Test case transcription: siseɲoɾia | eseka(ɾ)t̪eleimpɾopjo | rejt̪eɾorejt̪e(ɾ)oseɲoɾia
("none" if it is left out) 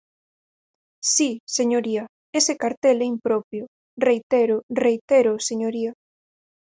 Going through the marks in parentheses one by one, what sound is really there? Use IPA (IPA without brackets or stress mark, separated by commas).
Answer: ɾ, ɾ